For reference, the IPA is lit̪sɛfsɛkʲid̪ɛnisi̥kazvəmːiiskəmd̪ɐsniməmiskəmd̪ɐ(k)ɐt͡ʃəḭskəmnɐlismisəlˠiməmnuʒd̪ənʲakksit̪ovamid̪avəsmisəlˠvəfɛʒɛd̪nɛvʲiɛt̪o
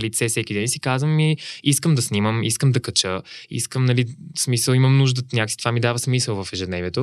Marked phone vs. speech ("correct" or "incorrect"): correct